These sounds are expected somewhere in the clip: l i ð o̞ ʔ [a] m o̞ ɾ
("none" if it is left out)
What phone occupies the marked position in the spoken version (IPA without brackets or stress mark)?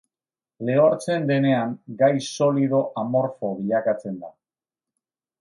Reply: a